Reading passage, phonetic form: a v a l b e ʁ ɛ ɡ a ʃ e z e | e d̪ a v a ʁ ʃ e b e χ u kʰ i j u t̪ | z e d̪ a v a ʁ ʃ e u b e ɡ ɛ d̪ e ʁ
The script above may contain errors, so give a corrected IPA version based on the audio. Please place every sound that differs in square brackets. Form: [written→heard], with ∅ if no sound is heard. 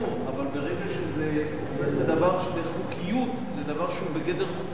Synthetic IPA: a v a l b e ʁ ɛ ɡ a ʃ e z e | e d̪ a v a ʁ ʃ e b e χ u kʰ i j u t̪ | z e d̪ a v a ʁ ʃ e u b e ɡ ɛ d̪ e ʁ